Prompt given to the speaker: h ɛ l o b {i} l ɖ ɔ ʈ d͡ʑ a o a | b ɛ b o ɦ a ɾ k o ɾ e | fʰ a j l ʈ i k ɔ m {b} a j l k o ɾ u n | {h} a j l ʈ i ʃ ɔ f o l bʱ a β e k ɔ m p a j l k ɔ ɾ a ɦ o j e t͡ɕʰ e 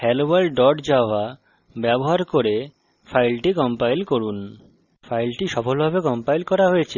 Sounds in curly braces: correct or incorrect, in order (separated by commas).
incorrect, incorrect, incorrect